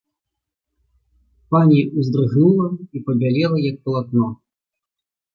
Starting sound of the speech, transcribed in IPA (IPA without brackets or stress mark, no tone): p